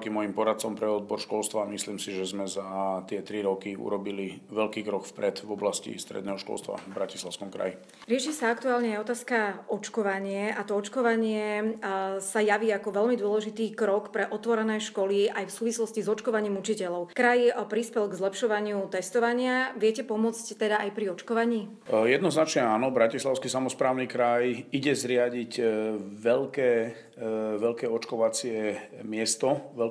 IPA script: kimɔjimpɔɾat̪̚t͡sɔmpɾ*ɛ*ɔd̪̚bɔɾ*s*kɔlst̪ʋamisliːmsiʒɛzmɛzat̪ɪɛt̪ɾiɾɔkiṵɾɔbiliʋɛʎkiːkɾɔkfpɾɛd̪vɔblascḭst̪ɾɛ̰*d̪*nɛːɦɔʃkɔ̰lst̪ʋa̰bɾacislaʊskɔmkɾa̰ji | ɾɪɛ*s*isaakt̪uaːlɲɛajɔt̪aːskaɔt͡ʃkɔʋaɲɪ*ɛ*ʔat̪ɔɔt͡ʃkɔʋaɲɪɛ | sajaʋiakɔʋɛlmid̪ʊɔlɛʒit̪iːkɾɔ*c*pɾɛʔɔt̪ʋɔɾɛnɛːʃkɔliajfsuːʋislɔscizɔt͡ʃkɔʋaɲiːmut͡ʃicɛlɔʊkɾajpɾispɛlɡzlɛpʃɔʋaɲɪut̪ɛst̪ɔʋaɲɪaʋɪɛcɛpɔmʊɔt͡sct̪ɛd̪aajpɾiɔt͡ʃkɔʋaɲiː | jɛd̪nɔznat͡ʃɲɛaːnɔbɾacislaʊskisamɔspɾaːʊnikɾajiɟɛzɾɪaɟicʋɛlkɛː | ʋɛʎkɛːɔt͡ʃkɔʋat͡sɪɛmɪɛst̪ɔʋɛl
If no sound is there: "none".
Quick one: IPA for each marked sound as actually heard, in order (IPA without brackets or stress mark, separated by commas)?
ɛ, ʃ, d̪, ʃ, ɛ, k